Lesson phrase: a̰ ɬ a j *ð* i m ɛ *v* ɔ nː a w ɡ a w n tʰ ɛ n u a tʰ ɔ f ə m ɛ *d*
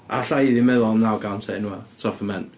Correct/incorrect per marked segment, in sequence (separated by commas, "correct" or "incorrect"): correct, incorrect, incorrect